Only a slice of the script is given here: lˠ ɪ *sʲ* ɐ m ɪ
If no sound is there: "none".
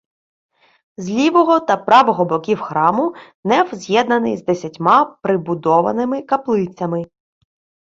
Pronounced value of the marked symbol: t͡sʲ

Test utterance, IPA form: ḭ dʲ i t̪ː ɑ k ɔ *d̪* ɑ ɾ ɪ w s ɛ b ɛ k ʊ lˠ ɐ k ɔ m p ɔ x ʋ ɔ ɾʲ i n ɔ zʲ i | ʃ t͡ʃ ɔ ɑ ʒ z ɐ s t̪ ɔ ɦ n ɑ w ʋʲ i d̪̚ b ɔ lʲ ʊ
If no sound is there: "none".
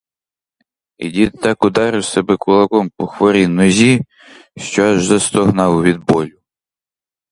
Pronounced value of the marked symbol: d̪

